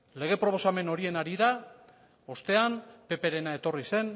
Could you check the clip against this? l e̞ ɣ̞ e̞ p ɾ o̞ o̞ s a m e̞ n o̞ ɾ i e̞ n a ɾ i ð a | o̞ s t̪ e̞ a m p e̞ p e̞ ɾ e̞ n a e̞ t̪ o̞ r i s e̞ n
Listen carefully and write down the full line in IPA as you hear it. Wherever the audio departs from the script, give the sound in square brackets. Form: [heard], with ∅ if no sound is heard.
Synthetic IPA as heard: l e̞ ɣ̞ e̞ p ɾ o̞ o̞ s a m e̞ n o̞ ɾ i e̞ n a ɾ i ð a | o̞ s t̪ e̞ a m p e̞ p e̞ ɾ e̞ n a e̞ t̪ o̞ r i s e̞ n